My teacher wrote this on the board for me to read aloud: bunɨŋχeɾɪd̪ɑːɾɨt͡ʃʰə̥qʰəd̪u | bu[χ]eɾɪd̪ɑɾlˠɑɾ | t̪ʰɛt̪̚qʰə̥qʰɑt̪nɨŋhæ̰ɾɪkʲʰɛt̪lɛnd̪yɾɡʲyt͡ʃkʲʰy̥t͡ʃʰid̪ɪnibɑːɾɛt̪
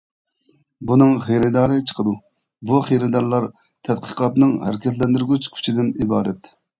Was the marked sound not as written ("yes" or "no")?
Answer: no